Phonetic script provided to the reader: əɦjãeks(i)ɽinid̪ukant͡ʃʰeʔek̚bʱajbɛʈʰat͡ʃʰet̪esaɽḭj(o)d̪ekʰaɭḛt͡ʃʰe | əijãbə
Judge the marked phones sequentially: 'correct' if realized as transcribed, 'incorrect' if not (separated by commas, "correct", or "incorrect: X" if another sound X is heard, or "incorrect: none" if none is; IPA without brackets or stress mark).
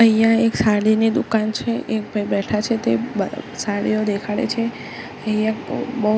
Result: incorrect: a, correct